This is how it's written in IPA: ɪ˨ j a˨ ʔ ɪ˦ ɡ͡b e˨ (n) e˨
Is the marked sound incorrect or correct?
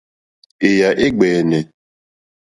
correct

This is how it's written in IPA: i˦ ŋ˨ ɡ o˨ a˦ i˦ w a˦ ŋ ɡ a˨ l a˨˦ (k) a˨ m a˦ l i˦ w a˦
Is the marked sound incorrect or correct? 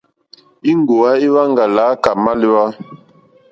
correct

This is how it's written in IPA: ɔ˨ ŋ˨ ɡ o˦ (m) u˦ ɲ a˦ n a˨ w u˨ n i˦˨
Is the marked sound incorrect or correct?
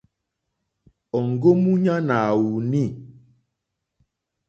correct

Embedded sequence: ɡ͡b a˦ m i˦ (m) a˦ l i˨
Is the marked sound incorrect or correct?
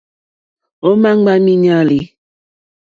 incorrect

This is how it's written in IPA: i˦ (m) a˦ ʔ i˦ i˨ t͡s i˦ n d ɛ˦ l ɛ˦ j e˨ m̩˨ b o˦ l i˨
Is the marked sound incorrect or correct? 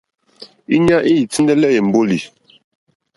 incorrect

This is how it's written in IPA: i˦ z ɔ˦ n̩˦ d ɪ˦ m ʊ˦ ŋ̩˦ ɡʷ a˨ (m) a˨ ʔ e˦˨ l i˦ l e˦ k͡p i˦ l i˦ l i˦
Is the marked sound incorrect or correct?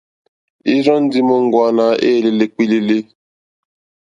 incorrect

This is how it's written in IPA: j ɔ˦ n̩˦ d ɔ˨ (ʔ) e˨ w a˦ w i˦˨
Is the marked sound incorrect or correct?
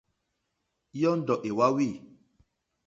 correct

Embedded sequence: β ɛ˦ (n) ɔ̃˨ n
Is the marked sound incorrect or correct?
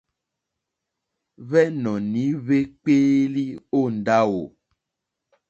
correct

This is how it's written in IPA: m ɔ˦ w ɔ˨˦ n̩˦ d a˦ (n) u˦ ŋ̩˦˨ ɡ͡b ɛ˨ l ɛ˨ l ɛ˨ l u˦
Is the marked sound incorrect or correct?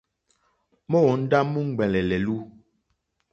incorrect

